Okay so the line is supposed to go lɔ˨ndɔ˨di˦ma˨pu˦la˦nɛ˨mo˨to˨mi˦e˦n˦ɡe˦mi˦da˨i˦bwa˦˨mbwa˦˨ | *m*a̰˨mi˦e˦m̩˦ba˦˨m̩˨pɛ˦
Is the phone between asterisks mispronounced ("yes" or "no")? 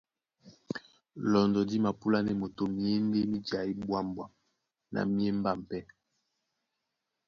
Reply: yes